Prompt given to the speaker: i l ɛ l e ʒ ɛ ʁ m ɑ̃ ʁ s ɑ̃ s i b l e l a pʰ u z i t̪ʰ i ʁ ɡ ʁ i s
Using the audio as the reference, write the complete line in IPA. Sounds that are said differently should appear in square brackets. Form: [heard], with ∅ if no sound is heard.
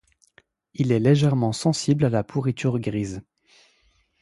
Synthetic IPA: i l ɛ l e ʒ ɛ ʁ m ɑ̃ [∅] s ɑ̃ s i b l [a] l a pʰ u [ʁ] i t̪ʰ [y] ʁ ɡ ʁ i [z]